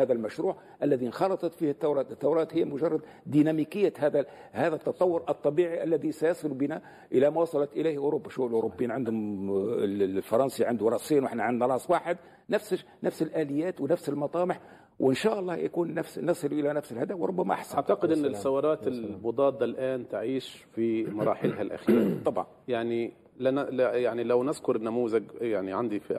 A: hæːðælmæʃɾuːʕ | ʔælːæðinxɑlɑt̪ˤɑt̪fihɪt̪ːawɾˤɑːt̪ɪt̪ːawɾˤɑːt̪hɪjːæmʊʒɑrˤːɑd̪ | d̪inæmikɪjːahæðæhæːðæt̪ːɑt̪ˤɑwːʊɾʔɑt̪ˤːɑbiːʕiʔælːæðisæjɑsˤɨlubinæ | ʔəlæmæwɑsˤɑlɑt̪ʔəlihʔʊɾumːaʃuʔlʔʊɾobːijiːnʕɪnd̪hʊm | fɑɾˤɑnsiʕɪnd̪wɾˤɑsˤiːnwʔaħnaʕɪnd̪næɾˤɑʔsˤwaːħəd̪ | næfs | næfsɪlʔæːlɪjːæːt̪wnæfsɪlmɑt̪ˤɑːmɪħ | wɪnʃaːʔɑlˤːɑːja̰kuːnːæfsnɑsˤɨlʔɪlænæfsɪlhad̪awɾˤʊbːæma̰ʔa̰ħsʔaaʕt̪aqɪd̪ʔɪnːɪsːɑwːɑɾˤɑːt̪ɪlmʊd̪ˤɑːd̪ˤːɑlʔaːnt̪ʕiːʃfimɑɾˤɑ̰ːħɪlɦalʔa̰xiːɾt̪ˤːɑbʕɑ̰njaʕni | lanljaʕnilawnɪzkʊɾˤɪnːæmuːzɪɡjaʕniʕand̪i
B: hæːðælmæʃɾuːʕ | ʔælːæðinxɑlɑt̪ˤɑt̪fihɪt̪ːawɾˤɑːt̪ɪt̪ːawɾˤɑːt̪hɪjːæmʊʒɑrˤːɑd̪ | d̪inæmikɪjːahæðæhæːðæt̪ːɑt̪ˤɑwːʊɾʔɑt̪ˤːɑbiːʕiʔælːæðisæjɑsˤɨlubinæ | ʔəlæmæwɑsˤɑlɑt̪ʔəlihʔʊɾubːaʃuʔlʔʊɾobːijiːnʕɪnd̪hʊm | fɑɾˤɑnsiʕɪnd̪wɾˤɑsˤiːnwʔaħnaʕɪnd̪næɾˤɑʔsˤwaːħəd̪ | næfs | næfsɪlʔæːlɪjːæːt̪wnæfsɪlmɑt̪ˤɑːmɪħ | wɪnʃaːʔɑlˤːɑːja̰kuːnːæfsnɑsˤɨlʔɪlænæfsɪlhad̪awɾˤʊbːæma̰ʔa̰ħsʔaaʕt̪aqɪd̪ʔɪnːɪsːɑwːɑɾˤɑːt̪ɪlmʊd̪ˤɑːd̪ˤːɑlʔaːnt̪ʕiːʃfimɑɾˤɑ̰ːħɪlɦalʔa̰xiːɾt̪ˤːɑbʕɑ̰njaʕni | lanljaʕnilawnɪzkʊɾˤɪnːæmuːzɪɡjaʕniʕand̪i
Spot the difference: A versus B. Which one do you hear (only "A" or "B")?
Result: B